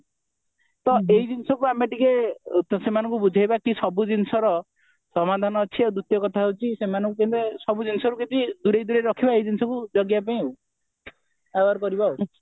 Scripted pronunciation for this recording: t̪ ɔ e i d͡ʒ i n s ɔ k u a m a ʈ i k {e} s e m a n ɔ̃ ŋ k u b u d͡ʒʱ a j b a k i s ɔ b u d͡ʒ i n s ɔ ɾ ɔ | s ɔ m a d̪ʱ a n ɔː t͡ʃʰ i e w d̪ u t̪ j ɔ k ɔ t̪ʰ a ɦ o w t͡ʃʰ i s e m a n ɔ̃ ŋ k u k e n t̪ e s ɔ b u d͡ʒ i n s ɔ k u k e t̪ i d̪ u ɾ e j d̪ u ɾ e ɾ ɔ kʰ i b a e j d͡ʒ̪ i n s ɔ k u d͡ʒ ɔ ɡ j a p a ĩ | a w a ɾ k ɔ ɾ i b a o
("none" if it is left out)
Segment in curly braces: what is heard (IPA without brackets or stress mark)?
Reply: e